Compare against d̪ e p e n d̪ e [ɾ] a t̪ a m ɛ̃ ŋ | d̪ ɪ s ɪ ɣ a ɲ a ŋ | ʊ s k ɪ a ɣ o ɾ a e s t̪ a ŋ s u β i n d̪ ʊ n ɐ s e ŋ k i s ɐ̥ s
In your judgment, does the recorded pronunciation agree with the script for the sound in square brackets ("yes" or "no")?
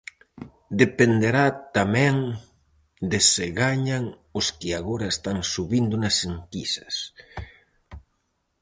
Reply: yes